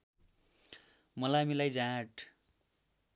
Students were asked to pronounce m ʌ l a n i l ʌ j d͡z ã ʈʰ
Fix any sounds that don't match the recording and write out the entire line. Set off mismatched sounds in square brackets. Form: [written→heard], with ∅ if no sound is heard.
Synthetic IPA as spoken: m ʌ l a [n→m] i l [ʌ→a] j d͡z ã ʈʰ